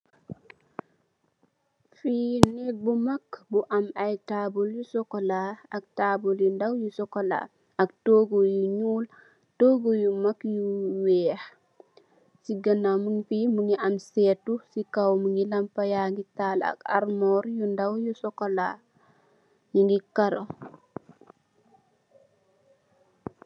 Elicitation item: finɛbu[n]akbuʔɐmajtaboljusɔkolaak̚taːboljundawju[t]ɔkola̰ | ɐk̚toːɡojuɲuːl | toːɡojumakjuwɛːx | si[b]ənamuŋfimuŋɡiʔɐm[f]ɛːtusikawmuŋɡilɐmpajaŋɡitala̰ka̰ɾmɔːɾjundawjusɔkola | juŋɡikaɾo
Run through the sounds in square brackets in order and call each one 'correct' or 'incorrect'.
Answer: incorrect, incorrect, incorrect, incorrect

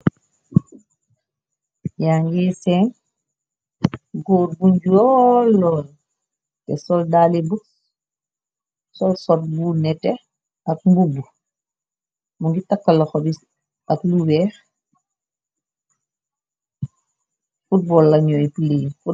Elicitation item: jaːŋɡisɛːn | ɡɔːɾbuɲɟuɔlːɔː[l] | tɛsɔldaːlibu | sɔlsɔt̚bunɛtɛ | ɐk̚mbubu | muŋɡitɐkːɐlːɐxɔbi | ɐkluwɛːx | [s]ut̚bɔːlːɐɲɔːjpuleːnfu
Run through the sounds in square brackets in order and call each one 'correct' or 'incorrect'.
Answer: correct, incorrect

